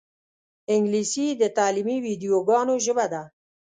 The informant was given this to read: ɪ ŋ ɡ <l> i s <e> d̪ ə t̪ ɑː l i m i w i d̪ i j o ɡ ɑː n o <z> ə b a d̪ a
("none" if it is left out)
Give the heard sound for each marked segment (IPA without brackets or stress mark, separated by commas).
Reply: l, i, ʒ